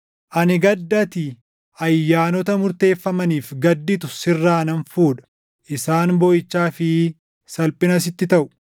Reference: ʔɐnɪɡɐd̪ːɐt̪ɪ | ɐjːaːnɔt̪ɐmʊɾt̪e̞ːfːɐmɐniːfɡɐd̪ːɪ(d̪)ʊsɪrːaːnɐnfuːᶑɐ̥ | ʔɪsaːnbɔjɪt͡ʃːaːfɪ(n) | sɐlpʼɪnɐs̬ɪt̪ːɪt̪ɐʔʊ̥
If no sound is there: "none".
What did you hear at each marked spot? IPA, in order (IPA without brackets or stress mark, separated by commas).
t̪, none